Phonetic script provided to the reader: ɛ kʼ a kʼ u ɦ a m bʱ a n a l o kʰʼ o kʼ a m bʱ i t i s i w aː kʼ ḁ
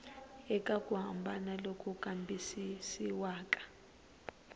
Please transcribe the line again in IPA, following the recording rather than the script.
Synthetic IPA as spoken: ɛ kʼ a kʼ u ɦ a m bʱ a n a l o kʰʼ u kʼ a m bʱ i s i s i w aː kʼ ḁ